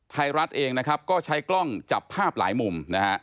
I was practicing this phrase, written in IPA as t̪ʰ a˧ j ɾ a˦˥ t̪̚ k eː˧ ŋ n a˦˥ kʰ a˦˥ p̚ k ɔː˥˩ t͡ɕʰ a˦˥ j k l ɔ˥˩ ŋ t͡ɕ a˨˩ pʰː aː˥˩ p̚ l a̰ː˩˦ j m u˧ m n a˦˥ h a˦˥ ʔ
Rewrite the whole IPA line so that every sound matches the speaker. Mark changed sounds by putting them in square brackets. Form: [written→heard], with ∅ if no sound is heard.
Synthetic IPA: t̪ʰ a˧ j ɾ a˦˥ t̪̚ [k→ʔ] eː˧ ŋ n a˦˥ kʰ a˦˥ p̚ k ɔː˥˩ t͡ɕʰ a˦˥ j k l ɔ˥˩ ŋ t͡ɕ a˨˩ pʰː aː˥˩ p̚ l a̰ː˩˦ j m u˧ m n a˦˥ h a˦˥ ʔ